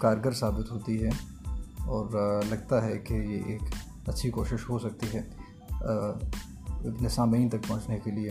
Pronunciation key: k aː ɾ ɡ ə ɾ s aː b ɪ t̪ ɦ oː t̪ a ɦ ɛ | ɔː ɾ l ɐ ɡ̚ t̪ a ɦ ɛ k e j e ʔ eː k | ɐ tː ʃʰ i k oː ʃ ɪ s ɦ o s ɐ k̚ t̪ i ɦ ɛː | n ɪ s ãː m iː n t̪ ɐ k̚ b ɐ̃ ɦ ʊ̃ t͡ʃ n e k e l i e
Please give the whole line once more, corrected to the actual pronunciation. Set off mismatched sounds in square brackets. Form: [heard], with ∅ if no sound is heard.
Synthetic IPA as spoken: k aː ɾ ɡ ə ɾ s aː b ɪ t̪ ɦ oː t̪ [i] ɦ ɛ | ɔː ɾ l ɐ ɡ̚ t̪ a ɦ ɛ k e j e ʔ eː k | ɐ tː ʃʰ i k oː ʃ ɪ [ʃ] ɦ o s ɐ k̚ t̪ i ɦ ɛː | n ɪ s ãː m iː n t̪ ɐ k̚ [p] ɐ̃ ɦ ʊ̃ t͡ʃ n e k e l i e